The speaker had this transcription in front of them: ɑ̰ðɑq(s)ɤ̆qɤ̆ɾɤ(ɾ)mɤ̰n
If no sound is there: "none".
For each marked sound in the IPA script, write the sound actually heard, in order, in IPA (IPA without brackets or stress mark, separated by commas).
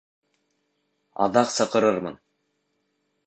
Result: s, ɾ